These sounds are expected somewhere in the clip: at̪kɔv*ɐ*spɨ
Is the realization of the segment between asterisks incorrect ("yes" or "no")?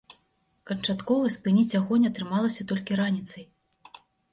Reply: no